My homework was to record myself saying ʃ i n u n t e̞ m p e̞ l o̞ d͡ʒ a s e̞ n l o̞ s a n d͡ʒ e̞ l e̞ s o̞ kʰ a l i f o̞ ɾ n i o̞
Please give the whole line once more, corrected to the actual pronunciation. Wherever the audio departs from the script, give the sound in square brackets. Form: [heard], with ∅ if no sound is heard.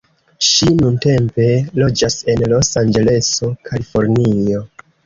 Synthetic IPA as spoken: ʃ i n u n t e̞ m p e̞ l o̞ d͡ʒ a s e̞ n l o̞ s a n d͡ʒ e̞ l e̞ s o̞ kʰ a l i f o̞ ɾ n i o̞